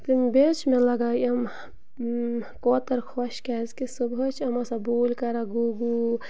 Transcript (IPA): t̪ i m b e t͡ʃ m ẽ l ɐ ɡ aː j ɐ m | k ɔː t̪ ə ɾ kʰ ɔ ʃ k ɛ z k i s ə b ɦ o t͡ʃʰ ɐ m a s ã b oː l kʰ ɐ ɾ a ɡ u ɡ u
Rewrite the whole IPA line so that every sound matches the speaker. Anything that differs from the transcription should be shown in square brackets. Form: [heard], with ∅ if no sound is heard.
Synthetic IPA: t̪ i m b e t͡ʃ m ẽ l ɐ ɡ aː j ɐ m | k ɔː t̪ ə ɾ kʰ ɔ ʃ k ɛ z k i s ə b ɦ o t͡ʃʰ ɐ m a s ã b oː l [k] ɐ ɾ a ɡ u ɡ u